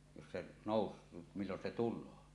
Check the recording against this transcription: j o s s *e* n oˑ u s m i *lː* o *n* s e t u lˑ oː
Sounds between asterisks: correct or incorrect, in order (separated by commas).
correct, correct, correct